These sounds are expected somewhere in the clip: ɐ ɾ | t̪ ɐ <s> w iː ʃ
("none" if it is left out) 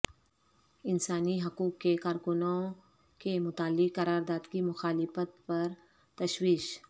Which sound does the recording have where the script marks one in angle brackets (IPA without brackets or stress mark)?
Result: ʃ